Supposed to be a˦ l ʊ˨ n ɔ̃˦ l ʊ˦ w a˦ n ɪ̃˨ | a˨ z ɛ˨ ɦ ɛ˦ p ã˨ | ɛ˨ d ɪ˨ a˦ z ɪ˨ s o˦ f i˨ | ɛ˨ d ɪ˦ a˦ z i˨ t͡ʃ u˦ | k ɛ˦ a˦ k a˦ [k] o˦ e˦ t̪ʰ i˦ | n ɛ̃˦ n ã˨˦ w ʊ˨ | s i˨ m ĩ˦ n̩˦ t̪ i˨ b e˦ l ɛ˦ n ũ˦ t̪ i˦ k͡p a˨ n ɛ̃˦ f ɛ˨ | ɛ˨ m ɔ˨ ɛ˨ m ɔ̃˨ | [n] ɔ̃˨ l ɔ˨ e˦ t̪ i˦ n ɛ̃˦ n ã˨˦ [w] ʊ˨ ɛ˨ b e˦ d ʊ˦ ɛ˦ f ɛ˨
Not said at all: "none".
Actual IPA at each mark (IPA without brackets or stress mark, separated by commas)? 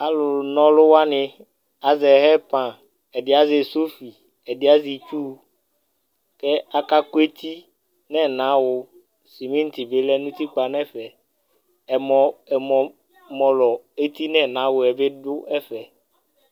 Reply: k, m, w